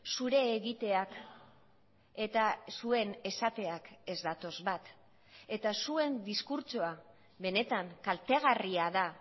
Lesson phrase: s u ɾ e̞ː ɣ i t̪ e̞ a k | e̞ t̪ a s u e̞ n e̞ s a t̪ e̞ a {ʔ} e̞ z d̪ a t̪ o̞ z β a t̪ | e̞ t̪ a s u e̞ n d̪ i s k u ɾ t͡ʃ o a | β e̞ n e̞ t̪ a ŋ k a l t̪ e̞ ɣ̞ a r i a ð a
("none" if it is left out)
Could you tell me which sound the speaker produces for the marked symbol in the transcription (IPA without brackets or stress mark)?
k